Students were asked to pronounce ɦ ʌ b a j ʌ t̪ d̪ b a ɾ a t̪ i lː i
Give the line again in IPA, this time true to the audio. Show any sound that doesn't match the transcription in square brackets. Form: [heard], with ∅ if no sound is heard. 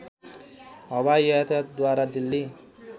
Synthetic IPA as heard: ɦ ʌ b a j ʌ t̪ d̪ [w] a ɾ a [d̪] i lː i